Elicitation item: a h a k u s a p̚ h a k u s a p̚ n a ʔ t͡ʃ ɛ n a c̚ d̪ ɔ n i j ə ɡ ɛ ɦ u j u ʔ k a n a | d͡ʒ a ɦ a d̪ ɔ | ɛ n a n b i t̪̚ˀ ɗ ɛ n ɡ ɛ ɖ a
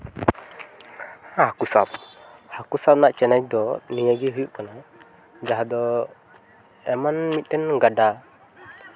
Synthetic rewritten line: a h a k u s a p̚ h a k u s a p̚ n a ʔ t͡ʃ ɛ n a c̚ d̪ ɔ n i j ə ɡ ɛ ɦ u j u ʔ k a n a | d͡ʒ a ɦ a d̪ ɔ | ɛ m a n m i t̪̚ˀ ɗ ɛ n ɡ a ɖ a